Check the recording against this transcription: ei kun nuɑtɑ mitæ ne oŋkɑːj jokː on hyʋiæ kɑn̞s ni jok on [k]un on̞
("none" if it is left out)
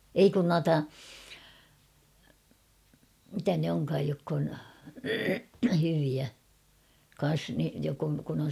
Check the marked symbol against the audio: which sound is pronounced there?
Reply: k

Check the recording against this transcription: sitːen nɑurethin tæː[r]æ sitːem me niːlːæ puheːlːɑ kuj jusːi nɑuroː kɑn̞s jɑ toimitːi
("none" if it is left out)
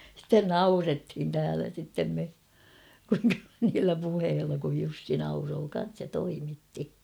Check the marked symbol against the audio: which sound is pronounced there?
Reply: l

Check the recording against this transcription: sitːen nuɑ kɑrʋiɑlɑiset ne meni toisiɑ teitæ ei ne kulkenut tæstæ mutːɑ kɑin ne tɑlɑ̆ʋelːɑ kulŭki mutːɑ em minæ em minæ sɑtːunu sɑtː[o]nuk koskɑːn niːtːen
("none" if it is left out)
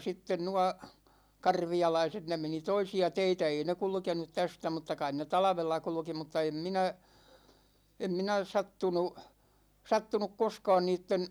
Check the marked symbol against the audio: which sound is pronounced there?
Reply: u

